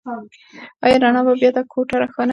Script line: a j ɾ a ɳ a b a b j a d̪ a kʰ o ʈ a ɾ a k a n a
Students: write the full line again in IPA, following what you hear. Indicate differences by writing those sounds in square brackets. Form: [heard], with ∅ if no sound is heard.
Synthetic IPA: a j ɾ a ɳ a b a b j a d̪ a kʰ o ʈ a ɾ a [x] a n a

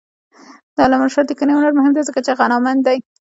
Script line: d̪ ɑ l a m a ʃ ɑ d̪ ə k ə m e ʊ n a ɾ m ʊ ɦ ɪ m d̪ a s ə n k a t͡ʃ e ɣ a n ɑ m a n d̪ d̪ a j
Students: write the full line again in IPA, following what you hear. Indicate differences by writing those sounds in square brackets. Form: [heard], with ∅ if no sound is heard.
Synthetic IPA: d̪ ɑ l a m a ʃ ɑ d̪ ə k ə [n] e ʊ n a ɾ m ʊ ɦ ɪ m d̪ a [z] ə [∅] k a t͡ʃ e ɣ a n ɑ m a n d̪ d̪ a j

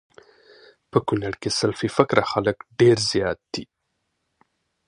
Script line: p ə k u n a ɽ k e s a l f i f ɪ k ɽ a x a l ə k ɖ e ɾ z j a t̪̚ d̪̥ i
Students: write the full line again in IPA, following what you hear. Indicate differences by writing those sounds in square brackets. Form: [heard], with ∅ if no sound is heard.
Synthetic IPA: p ə k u n a ɽ k e s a l f i f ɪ k [ɾ] a x a l ə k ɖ e ɾ z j [ɑ] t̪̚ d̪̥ i

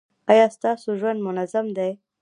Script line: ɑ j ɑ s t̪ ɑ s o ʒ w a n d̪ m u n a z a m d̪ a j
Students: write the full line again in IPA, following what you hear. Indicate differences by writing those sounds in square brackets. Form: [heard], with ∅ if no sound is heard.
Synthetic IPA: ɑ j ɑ s t̪ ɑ s o ʒ w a n d̪ m [ʊ] n a z a m d̪ a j

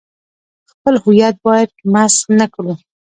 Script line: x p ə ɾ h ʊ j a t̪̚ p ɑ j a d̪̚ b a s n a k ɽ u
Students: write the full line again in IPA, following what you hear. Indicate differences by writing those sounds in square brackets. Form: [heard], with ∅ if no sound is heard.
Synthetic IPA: x p ə [l] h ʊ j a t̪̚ [b] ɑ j a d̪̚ [m] a s n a k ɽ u

